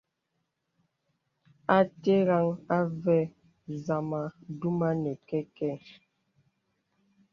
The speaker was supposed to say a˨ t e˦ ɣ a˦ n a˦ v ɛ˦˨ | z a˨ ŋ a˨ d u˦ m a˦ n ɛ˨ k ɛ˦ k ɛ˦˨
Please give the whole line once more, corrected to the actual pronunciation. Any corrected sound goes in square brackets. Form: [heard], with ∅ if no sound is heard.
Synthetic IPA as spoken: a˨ t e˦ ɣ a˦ [ŋ] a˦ v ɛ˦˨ | z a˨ [m] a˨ d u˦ m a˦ n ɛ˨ k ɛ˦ k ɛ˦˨